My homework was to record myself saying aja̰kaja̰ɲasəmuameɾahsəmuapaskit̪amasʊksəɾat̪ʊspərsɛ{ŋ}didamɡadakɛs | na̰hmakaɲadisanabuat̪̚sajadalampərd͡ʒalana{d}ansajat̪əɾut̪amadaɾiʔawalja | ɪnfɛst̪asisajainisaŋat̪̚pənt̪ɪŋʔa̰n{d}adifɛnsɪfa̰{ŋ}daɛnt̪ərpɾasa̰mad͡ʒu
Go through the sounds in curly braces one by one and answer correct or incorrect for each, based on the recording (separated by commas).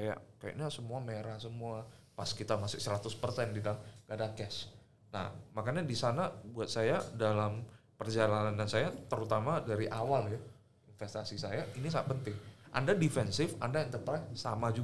incorrect, incorrect, correct, incorrect